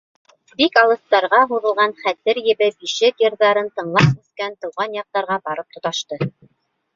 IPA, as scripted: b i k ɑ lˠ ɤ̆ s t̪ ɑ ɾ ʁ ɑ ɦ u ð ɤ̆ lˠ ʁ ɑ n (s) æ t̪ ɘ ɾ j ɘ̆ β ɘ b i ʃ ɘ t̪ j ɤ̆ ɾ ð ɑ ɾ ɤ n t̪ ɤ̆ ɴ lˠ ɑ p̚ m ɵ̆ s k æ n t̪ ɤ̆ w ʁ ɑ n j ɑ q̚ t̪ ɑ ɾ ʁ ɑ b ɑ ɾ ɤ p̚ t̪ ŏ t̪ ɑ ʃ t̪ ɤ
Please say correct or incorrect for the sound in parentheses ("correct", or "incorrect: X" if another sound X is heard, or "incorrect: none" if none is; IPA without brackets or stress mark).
incorrect: χ